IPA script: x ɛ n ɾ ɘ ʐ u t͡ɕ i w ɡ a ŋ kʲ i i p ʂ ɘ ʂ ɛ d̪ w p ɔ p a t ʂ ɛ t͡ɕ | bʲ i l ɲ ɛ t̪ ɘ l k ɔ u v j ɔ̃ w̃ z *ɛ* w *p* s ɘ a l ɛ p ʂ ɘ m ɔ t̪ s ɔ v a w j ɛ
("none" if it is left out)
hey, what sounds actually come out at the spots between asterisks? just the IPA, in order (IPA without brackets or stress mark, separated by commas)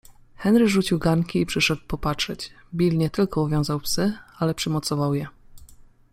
a, p